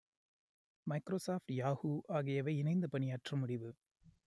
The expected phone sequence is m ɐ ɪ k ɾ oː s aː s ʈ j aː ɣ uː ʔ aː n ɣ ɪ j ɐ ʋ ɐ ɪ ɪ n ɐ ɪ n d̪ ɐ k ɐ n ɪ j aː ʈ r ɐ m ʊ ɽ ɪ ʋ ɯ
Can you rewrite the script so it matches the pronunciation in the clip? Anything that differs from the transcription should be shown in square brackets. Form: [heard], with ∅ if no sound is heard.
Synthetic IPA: m ɐ ɪ k ɾ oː s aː [f] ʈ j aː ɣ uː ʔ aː [∅] ɣ ɪ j ɐ ʋ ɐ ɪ ɪ n ɐ ɪ n d̪ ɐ [p] ɐ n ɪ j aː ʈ r ɐ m ʊ ɽ ɪ ʋ ɯ